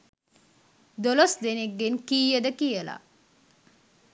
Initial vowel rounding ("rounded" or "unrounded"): rounded